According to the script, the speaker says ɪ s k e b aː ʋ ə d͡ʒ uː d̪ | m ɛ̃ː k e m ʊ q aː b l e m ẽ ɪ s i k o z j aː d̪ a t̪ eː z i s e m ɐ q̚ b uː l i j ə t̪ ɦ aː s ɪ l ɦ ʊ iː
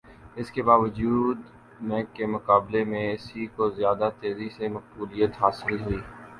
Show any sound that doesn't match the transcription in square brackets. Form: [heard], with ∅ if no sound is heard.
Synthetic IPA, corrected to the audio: ɪ s k e b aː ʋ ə d͡ʒ uː d̪ | m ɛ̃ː k e m ʊ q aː b l e m ẽ ɪ s i k o z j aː d̪ a t̪ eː z i s e m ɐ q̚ b uː l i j ə t̪ ɦ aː s ɪ l ɦ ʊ iː